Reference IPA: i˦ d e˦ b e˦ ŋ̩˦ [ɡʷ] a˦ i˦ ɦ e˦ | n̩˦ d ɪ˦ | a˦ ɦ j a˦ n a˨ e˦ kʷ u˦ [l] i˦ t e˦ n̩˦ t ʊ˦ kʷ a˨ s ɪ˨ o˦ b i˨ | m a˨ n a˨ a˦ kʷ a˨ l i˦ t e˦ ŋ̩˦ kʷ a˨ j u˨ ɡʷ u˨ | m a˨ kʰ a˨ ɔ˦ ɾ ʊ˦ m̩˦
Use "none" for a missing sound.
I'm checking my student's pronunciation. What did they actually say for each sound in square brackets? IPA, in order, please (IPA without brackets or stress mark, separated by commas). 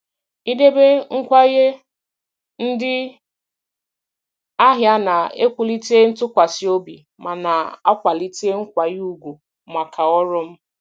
kʷ, l